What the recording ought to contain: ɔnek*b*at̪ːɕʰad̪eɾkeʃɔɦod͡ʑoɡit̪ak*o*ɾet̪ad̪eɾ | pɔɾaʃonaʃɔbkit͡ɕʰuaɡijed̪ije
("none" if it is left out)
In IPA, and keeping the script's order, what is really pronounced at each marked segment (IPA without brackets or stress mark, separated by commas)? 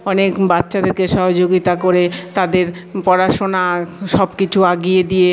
b, o